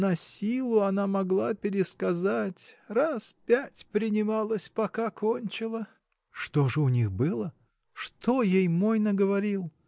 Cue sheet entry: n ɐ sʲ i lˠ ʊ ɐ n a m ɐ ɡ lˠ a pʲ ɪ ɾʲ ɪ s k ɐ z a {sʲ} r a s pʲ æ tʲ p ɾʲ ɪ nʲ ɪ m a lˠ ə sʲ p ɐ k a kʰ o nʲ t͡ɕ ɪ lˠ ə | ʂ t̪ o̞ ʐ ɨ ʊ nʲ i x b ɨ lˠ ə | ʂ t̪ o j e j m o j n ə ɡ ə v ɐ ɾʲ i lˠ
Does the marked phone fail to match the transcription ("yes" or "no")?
yes